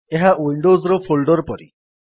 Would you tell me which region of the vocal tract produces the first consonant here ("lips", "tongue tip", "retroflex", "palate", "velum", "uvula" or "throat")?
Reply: throat